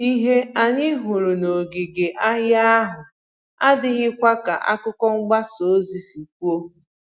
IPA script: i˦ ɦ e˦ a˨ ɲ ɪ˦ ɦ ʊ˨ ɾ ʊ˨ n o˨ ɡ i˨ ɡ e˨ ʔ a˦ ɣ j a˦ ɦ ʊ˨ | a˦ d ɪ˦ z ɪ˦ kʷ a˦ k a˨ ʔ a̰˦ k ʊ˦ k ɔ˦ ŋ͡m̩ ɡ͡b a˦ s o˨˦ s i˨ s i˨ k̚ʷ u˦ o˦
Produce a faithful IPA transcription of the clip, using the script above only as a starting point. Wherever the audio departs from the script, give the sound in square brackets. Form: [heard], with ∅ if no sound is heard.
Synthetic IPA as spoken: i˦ ɦ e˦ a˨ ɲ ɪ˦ ɦ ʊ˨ ɾ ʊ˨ n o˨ ɡ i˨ ɡ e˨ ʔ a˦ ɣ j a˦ ɦ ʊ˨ | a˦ d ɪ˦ [ɣ] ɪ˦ kʷ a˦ k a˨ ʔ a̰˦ k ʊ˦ k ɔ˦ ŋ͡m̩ ɡ͡b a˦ s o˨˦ [z] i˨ s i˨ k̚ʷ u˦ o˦